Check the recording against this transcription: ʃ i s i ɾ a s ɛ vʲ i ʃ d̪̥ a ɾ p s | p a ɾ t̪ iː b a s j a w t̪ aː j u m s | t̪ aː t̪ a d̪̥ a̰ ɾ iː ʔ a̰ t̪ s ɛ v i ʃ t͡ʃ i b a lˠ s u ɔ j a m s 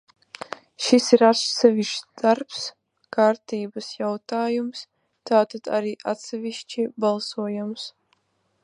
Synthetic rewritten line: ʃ i s i ɾ a s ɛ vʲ i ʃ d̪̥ a ɾ p s | k a ɾ t̪ iː b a s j a w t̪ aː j u m s | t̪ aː t̪ a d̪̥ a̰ ɾ iː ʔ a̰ t̪ s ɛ v i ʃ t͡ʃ i b a lˠ s u ɔ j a m s